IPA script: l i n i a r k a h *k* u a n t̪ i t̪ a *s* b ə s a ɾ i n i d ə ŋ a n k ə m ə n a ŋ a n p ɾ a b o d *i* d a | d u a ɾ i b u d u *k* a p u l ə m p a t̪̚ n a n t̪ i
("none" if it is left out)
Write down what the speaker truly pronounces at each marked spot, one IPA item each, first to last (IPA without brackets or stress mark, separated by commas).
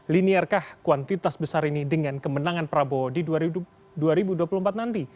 k, s, i, none